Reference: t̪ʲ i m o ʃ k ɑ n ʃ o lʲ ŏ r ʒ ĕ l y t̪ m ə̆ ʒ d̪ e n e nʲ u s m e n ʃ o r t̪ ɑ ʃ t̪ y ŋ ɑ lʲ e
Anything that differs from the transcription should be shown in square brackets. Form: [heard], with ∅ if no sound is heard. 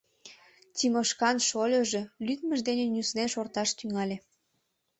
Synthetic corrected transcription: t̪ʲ i m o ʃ k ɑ n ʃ o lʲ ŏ [∅] ʒ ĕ l y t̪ m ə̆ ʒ d̪ e n e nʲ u s [n] e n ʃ o r t̪ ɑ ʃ t̪ y ŋ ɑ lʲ e